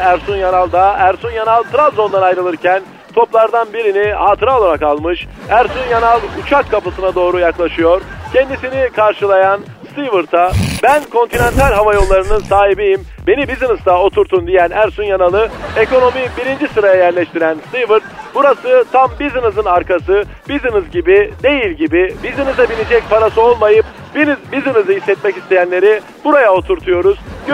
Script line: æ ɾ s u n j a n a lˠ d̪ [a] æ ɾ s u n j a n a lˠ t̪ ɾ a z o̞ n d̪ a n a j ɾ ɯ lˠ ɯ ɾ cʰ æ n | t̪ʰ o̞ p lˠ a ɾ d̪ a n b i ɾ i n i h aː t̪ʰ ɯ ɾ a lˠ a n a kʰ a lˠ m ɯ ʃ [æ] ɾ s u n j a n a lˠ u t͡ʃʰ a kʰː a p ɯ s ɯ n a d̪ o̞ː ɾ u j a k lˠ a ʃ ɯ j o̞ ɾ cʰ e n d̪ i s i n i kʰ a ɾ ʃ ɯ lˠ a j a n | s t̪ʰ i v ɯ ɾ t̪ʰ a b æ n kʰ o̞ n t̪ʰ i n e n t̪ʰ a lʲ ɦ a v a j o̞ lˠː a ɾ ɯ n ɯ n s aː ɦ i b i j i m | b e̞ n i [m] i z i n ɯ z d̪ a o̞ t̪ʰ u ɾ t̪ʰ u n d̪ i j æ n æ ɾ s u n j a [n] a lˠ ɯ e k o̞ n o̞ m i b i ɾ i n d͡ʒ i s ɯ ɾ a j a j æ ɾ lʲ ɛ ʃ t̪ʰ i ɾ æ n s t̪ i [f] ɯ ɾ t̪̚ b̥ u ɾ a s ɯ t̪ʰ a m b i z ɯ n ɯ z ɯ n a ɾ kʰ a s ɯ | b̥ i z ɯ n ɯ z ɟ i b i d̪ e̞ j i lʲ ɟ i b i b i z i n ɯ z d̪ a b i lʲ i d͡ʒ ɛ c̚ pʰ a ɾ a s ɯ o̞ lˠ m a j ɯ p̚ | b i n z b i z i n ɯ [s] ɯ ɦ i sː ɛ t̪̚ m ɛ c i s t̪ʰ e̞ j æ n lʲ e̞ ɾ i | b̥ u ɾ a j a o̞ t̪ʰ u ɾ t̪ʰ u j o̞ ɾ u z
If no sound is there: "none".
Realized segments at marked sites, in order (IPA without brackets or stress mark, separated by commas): a, æ, b, n, v, z